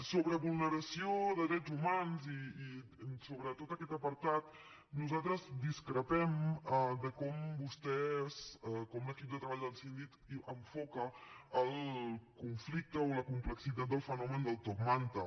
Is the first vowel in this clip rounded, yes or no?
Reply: yes